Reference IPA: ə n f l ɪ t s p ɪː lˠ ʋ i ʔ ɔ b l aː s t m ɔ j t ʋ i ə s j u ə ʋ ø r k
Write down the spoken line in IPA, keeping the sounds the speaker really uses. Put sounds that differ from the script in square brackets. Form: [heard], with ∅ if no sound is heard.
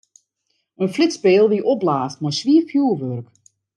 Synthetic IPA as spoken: ə n f l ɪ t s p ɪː lˠ ʋ i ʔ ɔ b l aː s t m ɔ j [s] ʋ i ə [f] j u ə ʋ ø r k